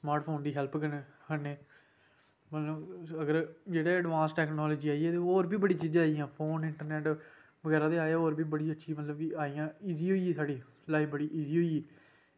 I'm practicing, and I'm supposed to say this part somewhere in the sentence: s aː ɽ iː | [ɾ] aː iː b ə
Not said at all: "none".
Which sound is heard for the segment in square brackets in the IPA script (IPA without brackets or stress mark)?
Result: l